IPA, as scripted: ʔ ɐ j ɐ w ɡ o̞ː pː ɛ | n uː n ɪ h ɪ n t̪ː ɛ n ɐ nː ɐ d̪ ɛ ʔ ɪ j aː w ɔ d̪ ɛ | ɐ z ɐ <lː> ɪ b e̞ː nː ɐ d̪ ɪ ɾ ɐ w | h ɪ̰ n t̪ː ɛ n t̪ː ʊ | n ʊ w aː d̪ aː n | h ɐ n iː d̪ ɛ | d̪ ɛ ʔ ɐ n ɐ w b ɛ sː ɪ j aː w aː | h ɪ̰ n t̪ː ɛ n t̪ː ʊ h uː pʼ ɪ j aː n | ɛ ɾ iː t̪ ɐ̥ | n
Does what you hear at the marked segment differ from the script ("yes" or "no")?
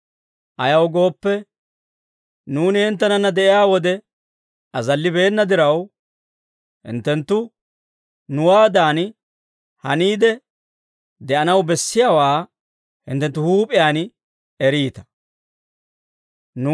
no